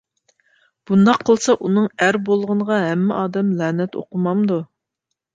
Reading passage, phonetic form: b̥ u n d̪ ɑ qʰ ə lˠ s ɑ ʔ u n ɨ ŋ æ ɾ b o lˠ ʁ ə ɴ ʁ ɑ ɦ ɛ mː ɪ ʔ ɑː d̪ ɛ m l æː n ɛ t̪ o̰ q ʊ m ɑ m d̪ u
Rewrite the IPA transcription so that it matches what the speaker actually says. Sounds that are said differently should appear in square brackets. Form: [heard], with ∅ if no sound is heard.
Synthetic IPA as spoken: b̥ u n d̪ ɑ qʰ ə lˠ s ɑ ʔ u n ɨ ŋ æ ɾ b o lˠ ʁ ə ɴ ʁ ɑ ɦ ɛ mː ɪ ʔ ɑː d̪ ɛ m l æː n ɛ t̪ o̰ q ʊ m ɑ m d̪ u